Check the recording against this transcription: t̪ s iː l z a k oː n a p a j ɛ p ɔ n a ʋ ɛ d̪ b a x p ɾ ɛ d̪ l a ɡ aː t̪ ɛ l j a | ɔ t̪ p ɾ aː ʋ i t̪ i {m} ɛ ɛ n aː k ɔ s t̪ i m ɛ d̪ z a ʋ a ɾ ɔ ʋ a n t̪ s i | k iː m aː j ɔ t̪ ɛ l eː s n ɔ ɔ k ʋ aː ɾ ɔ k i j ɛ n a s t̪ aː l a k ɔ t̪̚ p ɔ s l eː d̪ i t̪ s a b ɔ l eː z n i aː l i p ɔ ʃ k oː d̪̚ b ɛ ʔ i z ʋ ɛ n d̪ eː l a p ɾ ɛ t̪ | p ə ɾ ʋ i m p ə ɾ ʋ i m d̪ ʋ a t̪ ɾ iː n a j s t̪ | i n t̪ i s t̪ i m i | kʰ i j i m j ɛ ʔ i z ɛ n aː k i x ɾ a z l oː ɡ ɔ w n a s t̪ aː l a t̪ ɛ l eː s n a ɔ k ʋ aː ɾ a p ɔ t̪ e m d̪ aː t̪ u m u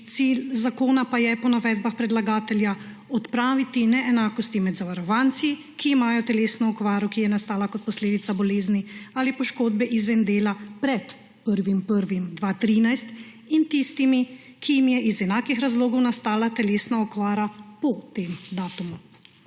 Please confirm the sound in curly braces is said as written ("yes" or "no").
no